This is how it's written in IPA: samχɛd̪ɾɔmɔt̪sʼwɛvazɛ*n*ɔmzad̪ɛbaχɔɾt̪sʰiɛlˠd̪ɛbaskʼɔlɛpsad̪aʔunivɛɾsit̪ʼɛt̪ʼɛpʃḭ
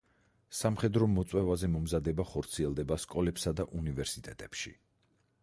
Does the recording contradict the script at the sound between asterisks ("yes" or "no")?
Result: yes